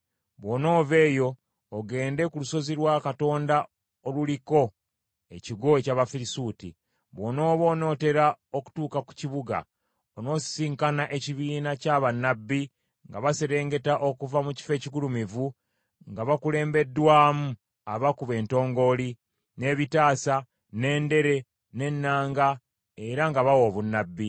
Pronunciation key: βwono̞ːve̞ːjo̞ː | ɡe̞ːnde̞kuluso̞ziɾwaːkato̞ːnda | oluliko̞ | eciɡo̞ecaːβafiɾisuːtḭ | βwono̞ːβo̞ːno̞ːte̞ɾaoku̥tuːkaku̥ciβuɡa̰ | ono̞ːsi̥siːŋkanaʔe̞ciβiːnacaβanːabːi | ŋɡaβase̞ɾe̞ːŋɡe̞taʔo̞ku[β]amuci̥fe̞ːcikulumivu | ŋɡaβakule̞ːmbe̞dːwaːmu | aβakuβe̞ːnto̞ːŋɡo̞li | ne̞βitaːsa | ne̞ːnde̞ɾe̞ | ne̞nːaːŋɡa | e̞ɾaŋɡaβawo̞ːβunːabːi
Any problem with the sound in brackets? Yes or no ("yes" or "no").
yes